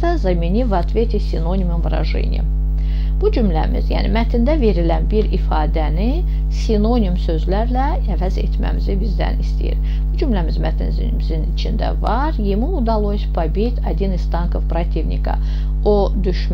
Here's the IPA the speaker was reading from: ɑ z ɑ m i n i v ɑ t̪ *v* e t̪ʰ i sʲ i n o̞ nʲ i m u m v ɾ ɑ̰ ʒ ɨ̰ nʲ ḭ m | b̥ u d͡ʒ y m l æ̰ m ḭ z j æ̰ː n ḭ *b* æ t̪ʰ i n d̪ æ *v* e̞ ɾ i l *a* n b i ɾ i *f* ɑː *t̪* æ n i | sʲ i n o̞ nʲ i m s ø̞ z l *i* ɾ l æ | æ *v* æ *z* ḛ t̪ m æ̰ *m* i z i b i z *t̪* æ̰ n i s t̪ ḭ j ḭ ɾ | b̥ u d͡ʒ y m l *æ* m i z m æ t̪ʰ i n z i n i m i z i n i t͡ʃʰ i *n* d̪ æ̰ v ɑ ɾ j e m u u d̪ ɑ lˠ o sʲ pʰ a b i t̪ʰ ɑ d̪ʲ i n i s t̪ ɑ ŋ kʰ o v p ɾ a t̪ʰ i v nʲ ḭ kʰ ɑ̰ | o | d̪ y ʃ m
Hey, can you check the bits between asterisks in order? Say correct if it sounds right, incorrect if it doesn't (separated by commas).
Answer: correct, incorrect, correct, incorrect, correct, incorrect, incorrect, correct, correct, correct, incorrect, correct, correct